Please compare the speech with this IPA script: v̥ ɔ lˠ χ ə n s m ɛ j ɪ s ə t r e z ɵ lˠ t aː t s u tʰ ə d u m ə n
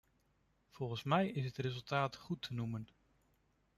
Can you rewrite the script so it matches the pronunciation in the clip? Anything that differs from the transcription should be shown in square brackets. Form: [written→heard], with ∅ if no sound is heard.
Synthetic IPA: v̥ ɔ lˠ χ ə n s m ɛ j ɪ s ə t r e z ɵ lˠ t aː t [s→χ] u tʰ ə [d→n] u m ə n